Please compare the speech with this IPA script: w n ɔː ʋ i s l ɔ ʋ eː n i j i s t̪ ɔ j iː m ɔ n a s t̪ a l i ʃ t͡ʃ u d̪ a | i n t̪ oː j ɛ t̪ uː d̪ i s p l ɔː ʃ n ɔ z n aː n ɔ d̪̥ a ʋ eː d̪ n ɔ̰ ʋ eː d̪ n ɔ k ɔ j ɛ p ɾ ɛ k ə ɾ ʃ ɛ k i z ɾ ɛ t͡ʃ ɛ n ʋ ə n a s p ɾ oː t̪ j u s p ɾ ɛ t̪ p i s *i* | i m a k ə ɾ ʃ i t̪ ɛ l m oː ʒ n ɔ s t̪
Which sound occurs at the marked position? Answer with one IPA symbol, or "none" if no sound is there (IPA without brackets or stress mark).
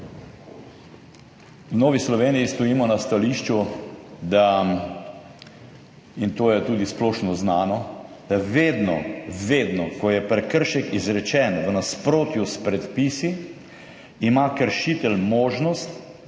i